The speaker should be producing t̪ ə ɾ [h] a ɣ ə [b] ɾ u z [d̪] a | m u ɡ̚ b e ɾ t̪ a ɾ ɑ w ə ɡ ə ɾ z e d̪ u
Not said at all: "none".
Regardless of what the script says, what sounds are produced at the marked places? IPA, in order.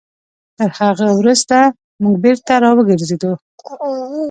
h, w, t̪

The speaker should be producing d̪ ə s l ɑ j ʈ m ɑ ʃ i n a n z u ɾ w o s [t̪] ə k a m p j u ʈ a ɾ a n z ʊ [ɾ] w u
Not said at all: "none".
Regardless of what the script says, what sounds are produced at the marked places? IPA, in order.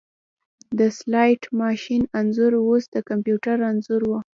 d̪, ɾ

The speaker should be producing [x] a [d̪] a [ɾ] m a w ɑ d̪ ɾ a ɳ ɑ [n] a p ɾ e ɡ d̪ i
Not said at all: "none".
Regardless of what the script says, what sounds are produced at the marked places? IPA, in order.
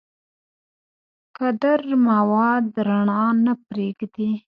k, d̪, ɾ, n

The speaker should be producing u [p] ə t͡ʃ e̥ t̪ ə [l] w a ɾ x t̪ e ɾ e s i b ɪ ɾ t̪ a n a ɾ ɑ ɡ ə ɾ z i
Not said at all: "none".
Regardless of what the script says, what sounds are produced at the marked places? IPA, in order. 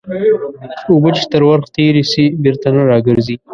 b, ɾ

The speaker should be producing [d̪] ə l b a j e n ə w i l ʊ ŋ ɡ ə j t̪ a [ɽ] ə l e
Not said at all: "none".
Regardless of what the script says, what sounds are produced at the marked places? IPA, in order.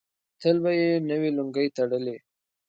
t̪, ɽ

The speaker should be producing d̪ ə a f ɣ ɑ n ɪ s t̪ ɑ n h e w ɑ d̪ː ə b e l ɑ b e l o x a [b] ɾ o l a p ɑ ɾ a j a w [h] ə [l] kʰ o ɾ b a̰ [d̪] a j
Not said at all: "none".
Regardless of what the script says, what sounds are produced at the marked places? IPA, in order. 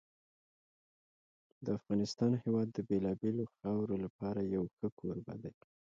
w, x, none, d̪

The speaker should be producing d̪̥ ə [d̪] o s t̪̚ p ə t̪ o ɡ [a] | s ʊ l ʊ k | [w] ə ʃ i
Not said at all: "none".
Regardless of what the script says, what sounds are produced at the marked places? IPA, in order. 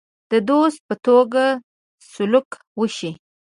d̪, a, w

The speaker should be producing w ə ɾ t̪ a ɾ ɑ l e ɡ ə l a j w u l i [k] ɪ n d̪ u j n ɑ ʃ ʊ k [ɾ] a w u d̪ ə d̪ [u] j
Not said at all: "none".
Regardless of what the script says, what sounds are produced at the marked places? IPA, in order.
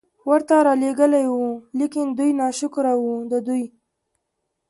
k, ɾ, u

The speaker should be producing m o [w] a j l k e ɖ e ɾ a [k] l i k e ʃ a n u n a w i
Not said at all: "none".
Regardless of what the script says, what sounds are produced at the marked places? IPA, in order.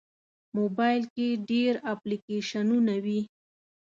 b, p

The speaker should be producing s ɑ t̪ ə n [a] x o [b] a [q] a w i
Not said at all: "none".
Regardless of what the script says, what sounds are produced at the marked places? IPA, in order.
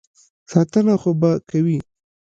a, b, k

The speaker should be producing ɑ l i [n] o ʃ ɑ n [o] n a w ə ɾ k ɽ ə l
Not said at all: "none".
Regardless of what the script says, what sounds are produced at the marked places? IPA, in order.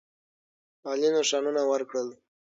n, u

